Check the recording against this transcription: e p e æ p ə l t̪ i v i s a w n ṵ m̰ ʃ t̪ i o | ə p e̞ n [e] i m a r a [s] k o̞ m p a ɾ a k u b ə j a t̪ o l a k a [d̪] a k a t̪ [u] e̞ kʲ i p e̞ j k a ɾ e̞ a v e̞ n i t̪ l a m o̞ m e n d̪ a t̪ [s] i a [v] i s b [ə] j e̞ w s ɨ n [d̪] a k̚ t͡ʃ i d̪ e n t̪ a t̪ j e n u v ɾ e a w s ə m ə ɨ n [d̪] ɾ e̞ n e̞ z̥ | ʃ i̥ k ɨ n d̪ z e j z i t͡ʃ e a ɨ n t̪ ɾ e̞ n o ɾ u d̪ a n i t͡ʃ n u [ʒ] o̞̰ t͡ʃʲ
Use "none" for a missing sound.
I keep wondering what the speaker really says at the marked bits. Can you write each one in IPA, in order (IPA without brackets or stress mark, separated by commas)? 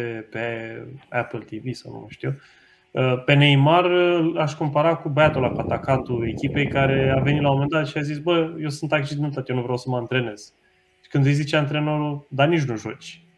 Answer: e, ʃ, t̪, u, ʃ, z, ə, t̪, t̪, ʒ